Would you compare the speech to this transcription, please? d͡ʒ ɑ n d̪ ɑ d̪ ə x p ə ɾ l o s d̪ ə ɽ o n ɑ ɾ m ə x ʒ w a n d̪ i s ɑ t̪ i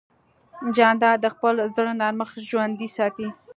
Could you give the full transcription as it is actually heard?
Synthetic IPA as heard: d͡ʒ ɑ n d̪ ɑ d̪ ə x p ə l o z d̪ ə ɽ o n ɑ ɾ m ə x ʒ w a n d̪ i s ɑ t̪ i